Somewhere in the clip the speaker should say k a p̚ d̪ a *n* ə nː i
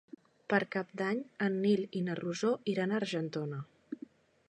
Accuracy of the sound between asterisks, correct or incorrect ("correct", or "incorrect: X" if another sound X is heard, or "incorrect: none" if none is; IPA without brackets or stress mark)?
incorrect: ɲ